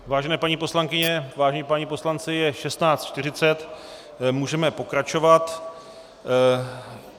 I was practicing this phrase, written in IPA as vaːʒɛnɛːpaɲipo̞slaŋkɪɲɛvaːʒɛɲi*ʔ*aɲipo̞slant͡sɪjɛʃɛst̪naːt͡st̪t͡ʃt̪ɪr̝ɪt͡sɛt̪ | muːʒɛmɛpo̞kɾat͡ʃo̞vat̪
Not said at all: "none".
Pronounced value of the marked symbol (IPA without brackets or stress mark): p